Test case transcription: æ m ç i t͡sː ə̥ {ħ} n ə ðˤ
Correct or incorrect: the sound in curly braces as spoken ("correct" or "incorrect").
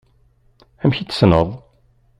incorrect